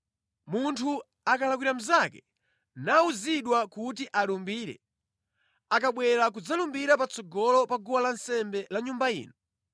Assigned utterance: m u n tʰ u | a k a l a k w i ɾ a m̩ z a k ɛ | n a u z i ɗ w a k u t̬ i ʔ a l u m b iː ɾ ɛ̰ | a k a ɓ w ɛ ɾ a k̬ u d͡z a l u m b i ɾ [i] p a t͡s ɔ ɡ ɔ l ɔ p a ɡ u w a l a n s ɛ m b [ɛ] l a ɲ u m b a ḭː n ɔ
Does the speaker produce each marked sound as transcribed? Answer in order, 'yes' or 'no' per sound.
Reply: no, yes

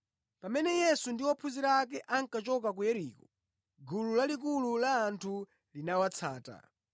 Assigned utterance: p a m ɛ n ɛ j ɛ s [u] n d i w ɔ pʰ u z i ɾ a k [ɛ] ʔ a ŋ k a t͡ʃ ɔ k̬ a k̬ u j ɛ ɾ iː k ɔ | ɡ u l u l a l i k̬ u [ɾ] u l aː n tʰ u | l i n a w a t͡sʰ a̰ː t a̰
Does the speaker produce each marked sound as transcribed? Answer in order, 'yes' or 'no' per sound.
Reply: yes, yes, no

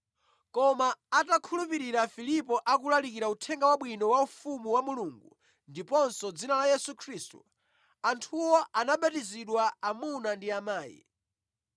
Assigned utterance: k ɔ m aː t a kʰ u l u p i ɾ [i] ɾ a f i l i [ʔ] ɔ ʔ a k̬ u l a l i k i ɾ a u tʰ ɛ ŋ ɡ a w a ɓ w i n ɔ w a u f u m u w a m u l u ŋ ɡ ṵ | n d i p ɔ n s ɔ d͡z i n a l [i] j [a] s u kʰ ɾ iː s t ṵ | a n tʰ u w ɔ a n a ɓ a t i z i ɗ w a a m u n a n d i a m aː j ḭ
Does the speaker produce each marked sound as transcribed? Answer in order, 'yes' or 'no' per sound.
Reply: yes, no, no, no

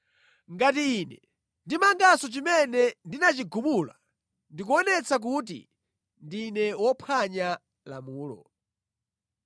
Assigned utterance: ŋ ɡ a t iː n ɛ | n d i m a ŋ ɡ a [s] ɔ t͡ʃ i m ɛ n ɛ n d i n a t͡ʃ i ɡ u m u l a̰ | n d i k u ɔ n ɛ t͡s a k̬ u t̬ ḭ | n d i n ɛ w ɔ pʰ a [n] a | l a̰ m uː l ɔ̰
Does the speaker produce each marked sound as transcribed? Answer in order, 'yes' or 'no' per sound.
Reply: yes, no

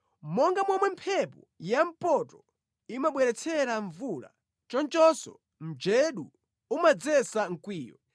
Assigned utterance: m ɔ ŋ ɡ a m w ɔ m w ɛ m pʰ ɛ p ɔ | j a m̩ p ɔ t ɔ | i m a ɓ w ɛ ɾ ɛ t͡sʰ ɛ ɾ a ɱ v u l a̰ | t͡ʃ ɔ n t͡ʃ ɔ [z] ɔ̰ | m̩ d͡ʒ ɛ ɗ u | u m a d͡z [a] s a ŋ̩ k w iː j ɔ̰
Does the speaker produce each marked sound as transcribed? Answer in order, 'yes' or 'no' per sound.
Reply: no, no

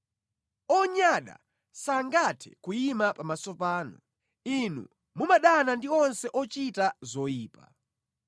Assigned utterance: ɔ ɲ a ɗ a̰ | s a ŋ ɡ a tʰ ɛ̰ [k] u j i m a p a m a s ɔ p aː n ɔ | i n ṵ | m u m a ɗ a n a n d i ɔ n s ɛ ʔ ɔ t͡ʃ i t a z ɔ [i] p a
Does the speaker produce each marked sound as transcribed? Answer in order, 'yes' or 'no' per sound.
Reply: yes, no

